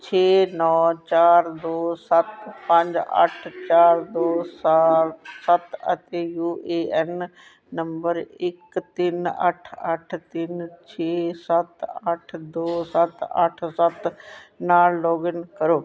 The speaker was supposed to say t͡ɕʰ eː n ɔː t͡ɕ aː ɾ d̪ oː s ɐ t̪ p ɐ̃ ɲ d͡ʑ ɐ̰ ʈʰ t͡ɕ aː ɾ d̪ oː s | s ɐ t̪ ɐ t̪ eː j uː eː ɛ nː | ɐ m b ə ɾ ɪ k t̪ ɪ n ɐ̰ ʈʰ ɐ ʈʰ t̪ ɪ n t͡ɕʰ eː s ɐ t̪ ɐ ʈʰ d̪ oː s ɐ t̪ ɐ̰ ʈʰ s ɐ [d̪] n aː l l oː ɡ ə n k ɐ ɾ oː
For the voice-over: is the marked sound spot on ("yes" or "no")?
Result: no